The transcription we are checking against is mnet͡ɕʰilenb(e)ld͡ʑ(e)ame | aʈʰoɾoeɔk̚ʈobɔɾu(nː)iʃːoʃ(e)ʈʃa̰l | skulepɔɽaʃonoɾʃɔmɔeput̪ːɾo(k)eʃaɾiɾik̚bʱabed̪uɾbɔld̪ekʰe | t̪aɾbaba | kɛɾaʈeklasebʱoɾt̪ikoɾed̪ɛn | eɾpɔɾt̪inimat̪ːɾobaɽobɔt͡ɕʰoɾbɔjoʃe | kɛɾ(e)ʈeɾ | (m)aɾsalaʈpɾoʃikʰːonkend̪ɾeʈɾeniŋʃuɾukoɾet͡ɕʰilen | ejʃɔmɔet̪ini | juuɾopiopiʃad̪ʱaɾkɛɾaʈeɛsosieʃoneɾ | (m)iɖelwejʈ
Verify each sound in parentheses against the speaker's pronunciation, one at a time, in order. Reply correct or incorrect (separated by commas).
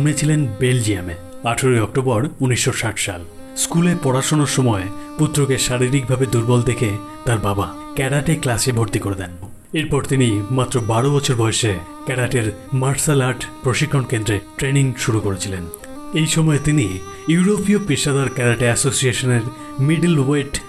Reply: correct, incorrect, incorrect, incorrect, correct, incorrect, correct, correct